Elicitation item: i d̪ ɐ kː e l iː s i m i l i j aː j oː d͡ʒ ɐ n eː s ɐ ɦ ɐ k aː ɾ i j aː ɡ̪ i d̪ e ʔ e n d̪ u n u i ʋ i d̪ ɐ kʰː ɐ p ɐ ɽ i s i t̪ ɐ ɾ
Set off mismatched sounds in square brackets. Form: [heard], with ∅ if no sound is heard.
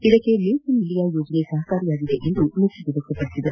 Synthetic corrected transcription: i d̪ ɐ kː e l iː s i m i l i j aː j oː d͡ʒ ɐ n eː s ɐ ɦ ɐ k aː ɾ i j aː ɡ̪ i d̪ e ʔ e n d̪ u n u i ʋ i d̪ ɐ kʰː ɐ p ɐ ɽ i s i [d̪] ɐ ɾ